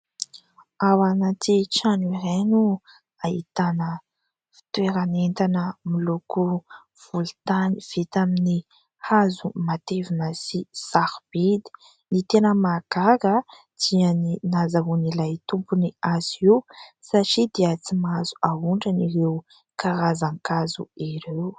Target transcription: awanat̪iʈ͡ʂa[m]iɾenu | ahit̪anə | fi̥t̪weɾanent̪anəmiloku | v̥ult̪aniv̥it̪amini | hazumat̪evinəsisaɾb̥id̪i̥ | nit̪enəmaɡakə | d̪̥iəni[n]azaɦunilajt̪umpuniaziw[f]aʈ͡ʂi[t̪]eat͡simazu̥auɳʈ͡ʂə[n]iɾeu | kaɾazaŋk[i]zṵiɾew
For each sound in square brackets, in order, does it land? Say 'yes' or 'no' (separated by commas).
no, yes, no, no, yes, no